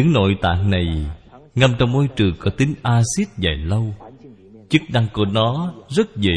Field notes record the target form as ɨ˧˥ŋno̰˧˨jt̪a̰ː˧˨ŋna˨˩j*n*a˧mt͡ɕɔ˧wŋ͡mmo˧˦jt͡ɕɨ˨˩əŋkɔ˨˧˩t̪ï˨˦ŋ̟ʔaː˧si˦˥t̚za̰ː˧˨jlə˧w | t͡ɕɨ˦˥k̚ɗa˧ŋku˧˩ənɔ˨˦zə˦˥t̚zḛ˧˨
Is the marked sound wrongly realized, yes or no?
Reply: yes